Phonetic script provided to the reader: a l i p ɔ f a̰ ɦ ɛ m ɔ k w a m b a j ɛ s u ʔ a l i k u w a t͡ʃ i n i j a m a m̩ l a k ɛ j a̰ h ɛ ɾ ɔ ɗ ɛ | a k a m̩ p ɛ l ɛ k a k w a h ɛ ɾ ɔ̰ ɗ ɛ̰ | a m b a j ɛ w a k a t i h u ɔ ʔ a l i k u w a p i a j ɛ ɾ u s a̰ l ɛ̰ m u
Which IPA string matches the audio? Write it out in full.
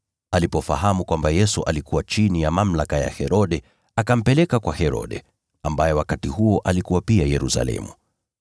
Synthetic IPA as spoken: a l i p ɔ f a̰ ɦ a m u k w a m b a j ɛ s u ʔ a l i k u w a t͡ʃ i n i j a m a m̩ l a k a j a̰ h ɛ ɾ ɔ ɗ ɛ | a k a m̩ p ɛ l ɛ k a k w a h ɛ ɾ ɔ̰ ɗ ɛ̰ | a m b a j ɛ w a k a t i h u ɔ ʔ a l i k u w a p i a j ɛ ɾ u s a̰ l ɛ̰ m u